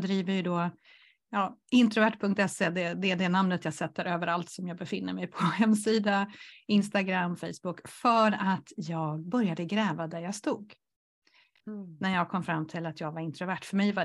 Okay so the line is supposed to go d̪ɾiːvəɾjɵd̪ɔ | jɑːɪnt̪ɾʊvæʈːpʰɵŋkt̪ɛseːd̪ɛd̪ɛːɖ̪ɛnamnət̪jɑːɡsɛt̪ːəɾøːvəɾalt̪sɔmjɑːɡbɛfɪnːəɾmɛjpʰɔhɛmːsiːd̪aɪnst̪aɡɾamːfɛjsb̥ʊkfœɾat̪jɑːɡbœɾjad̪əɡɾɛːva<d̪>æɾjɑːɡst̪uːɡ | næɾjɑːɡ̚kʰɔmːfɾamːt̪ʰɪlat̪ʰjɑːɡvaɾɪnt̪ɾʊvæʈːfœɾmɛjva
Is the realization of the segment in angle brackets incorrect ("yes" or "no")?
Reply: no